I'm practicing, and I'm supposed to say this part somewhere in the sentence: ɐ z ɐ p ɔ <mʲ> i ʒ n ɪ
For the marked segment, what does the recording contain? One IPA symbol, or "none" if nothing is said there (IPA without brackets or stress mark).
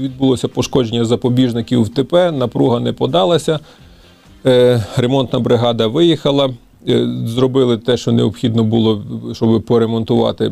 bʲ